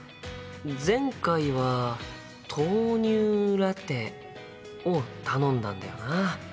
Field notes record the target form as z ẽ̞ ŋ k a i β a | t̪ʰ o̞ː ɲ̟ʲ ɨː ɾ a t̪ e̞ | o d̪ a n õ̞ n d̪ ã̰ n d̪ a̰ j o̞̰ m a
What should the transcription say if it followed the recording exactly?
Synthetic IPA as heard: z ẽ̞ ŋ k a i β a | t̪ʰ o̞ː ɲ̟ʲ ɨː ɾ a t̪ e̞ | o t̪ a n õ̞ n d̪ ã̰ n d̪ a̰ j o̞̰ n a